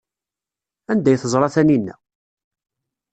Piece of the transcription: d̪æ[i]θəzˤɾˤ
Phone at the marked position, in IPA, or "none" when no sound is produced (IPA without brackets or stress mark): j